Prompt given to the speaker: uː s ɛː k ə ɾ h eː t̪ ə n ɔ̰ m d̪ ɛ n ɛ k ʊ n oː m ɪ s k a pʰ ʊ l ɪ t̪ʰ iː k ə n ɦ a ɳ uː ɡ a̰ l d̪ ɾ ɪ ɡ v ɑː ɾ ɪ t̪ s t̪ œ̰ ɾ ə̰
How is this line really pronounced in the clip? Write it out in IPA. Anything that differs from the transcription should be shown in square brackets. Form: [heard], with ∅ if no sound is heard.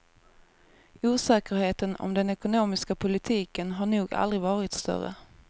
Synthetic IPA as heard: uː s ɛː k ə ɾ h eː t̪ ə n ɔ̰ m d̪ ɛ n ɛ k ʊ n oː m ɪ s k a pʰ ʊ l ɪ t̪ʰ iː k ə n ɦ a ɳ uː ɡ a̰ l d̪ ɾ ɪ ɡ v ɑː ɾ ɪ t̪ s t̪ œ̰ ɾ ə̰

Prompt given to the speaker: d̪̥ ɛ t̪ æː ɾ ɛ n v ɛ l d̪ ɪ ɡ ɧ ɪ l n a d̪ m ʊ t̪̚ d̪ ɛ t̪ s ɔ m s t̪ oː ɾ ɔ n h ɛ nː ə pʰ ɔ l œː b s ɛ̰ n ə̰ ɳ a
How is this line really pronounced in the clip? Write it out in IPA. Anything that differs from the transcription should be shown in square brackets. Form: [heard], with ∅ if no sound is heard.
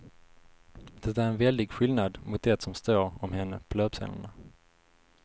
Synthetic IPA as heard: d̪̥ ɛ t̪ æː ɾ ɛ n v ɛ l d̪ ɪ ɡ ɧ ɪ l n a d̪ m ʊ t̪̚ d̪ ɛ t̪ s ɔ m s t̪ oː ɾ ɔ [m] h ɛ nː ə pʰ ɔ l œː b s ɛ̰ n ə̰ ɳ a

